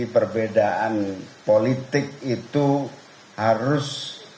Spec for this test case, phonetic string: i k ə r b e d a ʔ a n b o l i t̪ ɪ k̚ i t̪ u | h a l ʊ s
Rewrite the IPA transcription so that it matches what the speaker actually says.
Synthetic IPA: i p ə r b e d a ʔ a n p o l i t̪ ɪ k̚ i t̪ u | h a ɾ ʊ s